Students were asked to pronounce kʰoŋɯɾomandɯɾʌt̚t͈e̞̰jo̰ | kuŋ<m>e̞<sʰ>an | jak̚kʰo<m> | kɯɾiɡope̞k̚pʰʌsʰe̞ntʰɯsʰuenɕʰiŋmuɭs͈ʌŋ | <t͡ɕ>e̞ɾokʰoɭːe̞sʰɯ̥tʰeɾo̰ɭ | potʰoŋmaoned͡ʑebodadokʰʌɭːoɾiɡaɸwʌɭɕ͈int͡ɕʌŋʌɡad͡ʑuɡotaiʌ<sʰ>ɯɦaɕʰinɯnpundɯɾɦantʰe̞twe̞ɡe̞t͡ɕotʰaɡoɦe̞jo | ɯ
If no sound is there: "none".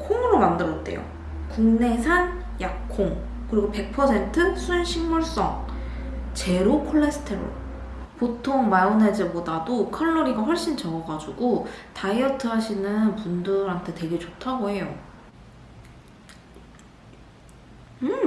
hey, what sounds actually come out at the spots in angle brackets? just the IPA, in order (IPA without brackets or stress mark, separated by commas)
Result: n, sʰ, ŋ, t͡ɕ, tʰ